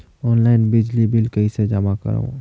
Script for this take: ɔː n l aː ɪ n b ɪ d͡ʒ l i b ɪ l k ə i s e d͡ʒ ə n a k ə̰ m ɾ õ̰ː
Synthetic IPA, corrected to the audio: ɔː n l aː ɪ n b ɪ d͡ʒ l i b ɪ l k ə i s e d͡ʒ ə m a k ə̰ ɾ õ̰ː